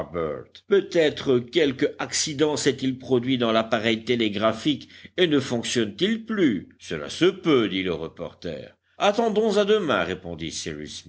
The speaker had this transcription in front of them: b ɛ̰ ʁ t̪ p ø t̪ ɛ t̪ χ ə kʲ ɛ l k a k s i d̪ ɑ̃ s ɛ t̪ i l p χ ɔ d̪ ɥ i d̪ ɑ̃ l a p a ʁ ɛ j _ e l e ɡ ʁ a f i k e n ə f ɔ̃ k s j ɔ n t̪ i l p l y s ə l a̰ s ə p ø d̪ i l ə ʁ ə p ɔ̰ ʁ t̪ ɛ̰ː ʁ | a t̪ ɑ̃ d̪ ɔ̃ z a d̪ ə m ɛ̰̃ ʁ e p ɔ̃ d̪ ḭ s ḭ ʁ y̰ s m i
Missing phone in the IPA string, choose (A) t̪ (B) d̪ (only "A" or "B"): A